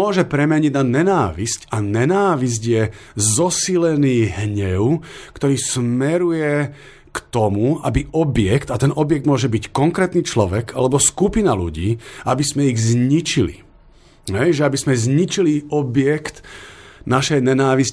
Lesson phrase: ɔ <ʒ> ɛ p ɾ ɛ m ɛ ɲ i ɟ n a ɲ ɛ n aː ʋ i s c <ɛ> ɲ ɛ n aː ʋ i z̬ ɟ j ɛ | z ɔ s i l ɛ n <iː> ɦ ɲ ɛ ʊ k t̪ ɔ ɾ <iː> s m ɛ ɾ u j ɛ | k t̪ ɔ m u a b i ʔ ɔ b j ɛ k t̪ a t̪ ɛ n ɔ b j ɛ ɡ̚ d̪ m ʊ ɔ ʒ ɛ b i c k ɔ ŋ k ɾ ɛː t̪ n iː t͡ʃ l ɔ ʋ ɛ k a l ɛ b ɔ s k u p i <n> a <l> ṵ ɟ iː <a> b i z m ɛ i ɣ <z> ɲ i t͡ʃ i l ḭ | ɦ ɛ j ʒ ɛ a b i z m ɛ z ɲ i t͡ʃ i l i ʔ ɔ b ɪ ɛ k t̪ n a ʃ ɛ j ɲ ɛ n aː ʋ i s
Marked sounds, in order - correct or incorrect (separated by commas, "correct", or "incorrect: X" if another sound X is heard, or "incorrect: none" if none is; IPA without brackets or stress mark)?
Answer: correct, incorrect: a, correct, correct, correct, correct, correct, correct